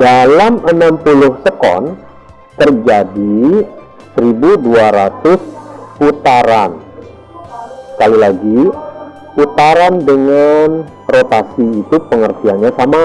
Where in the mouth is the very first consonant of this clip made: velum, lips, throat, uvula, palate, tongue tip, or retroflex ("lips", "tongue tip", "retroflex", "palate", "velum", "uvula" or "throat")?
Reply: tongue tip